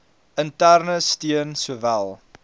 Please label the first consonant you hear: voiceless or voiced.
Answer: voiced